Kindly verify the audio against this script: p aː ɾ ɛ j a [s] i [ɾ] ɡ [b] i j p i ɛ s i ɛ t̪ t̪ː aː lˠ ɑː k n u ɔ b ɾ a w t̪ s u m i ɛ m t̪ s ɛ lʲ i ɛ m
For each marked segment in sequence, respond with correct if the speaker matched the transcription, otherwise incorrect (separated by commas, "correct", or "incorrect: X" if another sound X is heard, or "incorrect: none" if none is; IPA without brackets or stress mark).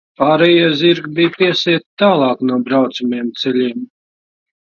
incorrect: z, correct, correct